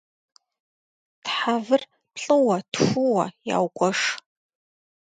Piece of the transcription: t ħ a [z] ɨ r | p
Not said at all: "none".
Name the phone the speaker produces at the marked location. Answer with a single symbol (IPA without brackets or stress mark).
v